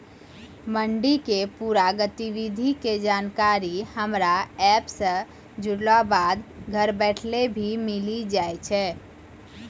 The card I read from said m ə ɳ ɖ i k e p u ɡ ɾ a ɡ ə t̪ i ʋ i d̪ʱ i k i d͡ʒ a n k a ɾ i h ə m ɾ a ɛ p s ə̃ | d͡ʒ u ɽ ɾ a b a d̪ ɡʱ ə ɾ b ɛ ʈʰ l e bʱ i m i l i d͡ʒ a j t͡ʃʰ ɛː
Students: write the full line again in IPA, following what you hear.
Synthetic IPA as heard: m ə ɳ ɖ i k e p u ɾ a ɡ ə t̪ i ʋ i d̪ʱ i k e d͡ʒ a n k a ɾ i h ə m ɾ a ɛ p s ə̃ | d͡ʒ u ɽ l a b a d̪ ɡʱ ə ɾ b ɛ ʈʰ l e bʱ i m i l i d͡ʒ a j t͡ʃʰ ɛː

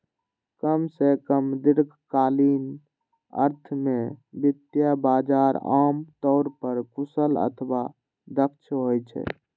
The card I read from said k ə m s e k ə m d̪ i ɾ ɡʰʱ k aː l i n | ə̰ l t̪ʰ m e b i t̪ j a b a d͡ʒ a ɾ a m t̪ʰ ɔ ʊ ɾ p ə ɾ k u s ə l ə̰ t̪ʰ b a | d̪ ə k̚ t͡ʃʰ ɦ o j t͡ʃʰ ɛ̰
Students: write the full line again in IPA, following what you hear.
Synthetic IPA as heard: k ə m s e k ə m d̪ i ɾ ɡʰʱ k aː l i n | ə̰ ɾ t̪ʰ m e b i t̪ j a b a d͡ʒ a ɾ a m t̪ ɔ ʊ ɾ p ə ɾ k u s ə l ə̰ t̪ʰ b a | d̪ ə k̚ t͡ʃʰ ɦ o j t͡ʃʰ ɛ̰

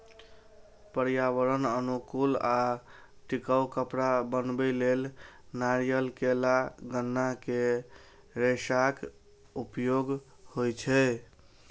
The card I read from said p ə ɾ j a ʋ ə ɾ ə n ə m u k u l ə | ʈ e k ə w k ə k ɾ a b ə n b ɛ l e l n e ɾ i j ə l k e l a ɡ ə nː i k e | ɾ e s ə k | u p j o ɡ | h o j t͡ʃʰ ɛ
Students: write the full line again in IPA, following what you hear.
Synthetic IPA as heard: p ə ɾ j a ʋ ə ɾ ə n ə n u k u l a | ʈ i k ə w k ə p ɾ a b ə n b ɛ l e l n a ɾ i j ə l k e l a ɡ ə nː a k e | ɾ e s a k | u p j o ɡ | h o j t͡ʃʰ ɛ

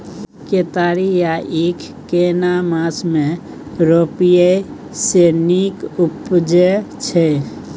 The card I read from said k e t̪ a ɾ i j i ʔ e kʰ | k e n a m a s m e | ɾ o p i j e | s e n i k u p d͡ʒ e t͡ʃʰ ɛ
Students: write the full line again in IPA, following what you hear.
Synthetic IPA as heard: k e t̪ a ɾ i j a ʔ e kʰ | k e n a m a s m e | ɾ o p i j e | s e n i k u p d͡ʒ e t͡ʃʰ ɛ

